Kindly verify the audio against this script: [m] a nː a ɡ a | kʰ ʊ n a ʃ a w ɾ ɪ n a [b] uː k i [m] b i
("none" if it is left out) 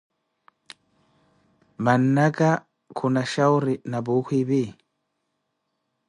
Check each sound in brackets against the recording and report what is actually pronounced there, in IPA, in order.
m, b, none

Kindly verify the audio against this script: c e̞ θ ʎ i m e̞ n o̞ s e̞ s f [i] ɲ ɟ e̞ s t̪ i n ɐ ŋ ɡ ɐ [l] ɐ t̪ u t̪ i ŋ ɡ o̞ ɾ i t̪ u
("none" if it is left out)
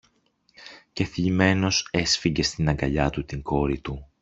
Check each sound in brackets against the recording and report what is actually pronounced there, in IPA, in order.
i, ʎ

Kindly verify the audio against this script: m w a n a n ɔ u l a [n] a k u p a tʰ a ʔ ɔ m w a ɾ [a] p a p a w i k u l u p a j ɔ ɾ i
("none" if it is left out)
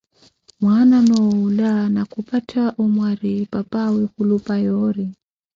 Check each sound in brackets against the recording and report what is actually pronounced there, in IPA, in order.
n, i

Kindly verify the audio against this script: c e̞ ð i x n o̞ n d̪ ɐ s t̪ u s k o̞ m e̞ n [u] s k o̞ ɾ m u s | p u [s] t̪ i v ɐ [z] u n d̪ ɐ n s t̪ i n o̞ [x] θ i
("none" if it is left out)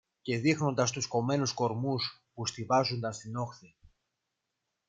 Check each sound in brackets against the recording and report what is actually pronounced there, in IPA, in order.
u, s, z, x

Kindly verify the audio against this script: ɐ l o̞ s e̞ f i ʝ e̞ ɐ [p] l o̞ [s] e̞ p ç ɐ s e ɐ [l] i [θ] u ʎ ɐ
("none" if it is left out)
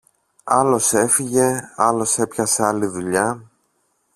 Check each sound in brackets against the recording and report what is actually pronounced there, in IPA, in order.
none, s, l, ð

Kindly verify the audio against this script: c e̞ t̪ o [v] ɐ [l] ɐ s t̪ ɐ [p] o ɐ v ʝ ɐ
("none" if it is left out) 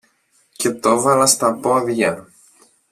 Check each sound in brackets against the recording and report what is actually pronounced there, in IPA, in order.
v, l, p

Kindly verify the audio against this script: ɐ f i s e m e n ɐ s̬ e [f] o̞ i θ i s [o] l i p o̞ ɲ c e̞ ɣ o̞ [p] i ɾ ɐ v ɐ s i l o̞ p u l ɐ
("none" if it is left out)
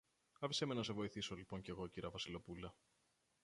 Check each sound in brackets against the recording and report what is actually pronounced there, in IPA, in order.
v, o, c

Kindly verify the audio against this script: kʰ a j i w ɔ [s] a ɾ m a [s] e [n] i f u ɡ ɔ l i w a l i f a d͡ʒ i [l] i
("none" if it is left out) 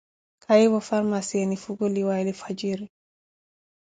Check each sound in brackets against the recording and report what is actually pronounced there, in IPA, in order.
f, s, n, ɾ

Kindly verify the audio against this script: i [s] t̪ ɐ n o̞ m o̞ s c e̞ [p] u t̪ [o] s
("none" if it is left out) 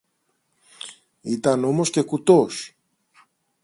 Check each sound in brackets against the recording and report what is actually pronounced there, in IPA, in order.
none, k, o

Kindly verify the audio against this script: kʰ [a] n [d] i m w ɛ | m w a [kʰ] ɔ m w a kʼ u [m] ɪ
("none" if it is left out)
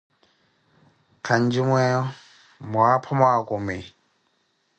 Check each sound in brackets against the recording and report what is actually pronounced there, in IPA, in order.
a, d͡ʒ, pʰ, m

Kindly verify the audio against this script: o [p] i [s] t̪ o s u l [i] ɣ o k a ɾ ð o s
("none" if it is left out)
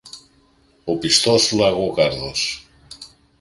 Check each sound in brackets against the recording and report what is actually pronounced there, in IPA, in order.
p, s, a

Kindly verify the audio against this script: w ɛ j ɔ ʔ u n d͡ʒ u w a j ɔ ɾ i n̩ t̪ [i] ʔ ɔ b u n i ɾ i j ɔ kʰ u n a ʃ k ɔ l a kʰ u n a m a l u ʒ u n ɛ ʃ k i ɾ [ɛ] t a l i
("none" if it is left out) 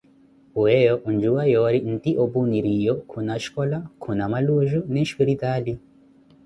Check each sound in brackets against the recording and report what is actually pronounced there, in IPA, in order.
i, i

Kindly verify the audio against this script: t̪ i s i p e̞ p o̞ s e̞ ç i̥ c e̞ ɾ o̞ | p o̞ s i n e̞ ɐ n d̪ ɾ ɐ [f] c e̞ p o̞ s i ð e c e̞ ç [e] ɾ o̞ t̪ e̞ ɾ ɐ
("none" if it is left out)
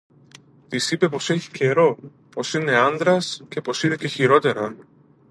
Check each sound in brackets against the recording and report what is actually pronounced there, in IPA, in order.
s, i

